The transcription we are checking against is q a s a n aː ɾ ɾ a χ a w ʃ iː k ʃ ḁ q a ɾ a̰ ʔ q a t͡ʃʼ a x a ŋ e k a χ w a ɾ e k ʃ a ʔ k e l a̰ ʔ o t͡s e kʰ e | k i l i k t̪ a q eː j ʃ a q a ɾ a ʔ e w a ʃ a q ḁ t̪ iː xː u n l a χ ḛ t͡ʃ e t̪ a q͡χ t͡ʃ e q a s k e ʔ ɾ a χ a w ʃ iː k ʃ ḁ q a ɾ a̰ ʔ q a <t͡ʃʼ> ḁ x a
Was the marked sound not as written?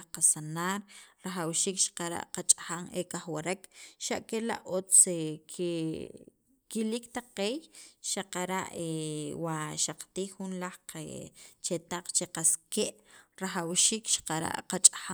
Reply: no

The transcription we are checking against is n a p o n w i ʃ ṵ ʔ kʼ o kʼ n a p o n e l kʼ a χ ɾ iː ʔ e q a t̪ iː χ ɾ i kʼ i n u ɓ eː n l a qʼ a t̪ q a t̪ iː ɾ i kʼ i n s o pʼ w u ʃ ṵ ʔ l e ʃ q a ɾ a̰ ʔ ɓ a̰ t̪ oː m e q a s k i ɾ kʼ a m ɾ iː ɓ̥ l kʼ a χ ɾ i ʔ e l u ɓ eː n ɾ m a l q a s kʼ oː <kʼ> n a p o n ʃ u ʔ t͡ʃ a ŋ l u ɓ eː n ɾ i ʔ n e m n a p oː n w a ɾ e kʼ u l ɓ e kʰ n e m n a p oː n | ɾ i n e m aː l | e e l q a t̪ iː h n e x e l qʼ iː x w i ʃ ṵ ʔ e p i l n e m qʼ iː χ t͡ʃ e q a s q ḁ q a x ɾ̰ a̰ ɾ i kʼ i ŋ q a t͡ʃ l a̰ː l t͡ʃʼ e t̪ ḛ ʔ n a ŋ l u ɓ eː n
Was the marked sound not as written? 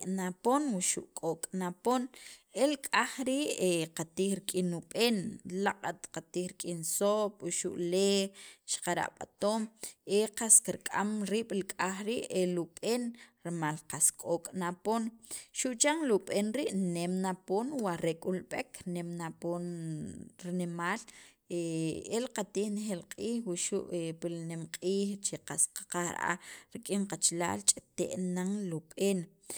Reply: no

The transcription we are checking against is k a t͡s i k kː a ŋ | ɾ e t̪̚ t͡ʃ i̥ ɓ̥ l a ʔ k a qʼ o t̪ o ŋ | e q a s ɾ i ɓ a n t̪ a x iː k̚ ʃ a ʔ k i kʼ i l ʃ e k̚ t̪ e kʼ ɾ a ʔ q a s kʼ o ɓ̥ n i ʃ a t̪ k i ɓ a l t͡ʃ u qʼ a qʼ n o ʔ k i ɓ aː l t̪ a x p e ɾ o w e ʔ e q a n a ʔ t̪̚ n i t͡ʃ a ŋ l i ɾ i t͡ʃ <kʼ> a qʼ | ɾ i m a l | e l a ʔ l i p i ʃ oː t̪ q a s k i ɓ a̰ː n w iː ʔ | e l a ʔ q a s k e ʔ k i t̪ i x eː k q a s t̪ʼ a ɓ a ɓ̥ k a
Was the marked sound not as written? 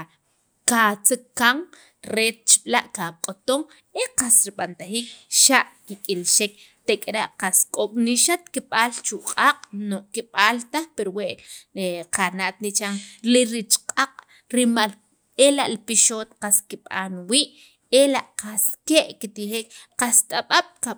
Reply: yes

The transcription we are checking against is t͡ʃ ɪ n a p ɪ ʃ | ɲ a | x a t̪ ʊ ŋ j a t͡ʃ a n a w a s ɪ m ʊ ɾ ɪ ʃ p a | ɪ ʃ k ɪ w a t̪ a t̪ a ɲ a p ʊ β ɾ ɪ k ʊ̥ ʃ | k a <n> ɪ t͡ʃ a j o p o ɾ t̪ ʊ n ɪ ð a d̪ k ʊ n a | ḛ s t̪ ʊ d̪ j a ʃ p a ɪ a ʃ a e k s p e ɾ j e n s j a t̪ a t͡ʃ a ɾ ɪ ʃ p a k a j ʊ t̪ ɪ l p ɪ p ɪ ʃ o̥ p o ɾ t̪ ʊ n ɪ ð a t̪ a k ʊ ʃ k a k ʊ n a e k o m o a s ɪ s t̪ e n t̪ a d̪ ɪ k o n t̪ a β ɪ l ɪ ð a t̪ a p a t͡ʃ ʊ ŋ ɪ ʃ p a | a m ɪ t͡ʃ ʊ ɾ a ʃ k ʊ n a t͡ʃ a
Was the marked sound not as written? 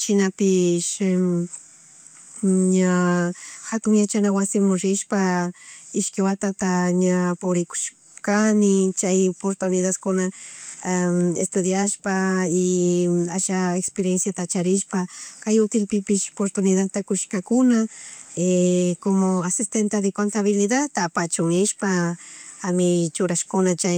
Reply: no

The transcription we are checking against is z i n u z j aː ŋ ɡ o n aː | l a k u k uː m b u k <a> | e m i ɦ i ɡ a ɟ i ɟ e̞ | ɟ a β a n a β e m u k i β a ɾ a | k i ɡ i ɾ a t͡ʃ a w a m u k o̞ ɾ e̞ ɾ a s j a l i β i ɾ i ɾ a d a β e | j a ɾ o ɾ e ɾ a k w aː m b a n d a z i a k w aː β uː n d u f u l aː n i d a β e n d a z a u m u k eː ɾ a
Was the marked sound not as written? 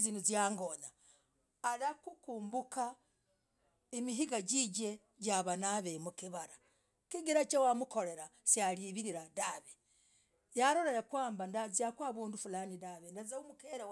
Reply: no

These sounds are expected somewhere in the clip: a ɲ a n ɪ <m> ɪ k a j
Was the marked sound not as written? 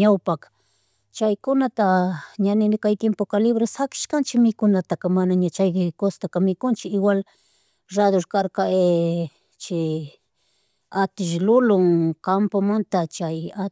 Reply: yes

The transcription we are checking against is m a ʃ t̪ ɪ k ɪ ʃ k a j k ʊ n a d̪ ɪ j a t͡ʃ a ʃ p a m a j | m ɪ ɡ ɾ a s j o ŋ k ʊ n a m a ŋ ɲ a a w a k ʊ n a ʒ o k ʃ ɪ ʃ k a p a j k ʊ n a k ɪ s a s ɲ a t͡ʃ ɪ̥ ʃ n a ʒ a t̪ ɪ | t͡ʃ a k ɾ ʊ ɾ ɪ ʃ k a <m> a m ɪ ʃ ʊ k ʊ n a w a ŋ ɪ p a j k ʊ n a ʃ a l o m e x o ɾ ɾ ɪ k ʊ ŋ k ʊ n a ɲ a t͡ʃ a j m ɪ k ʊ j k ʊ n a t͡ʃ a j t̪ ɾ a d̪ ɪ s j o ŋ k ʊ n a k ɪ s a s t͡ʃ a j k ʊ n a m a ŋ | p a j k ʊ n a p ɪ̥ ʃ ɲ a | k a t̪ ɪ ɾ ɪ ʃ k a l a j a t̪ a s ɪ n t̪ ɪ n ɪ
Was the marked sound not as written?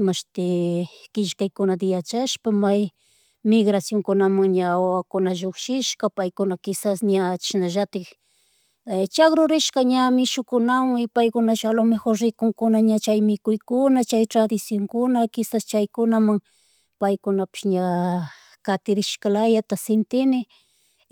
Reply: yes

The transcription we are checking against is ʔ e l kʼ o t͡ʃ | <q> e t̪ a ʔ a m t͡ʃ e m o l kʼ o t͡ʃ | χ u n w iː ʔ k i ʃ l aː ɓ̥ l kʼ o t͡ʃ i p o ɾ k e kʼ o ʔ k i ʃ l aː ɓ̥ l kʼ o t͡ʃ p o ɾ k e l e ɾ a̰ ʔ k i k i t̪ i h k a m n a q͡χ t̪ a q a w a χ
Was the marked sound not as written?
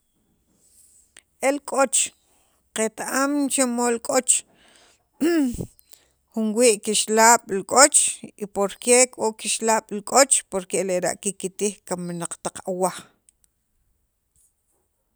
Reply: no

